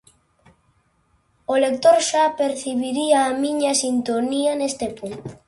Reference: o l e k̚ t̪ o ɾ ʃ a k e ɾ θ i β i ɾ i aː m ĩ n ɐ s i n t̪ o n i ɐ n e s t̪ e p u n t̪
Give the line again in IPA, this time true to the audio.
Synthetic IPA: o l e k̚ t̪ o ɾ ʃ a p e ɾ θ i β i ɾ i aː m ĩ ɲ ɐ s i n t̪ o n i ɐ n e s t̪ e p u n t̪